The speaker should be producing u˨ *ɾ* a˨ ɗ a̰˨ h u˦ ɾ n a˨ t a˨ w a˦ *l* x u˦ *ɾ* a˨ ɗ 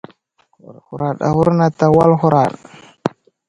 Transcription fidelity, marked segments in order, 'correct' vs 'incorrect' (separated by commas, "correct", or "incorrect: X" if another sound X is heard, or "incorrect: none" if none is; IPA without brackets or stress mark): correct, correct, correct